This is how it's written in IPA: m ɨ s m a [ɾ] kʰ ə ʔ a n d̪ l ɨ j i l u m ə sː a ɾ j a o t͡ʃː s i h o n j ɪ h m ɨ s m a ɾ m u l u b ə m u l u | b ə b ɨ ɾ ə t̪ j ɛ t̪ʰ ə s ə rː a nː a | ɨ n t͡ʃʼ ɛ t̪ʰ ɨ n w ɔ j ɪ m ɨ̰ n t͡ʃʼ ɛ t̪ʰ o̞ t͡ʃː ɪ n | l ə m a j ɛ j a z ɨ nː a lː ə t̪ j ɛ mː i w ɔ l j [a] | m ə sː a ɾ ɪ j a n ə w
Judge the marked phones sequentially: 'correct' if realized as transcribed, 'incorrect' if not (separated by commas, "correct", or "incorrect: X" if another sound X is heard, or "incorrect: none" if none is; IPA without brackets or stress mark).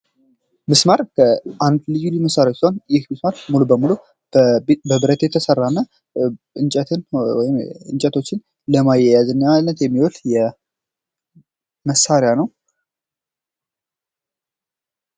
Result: correct, incorrect: ɛ